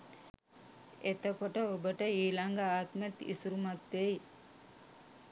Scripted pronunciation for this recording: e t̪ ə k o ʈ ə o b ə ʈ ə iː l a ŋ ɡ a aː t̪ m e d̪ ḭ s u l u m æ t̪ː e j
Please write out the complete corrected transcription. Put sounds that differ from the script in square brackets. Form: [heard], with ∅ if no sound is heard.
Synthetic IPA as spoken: e t̪ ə k o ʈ ə o b ə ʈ ə iː l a ŋ ɡ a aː t̪ m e [t̪] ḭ s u [ɾ] u m [a] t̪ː e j